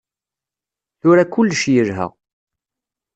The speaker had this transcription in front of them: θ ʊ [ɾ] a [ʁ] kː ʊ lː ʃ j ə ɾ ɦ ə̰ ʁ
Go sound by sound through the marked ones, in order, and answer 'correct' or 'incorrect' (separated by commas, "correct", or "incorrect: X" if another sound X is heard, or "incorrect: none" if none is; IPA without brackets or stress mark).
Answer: correct, incorrect: none